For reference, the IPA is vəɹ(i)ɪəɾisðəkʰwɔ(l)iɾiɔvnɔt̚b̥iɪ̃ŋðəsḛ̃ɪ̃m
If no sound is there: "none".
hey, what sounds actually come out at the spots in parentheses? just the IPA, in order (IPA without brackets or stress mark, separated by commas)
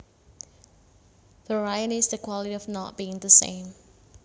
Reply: a, l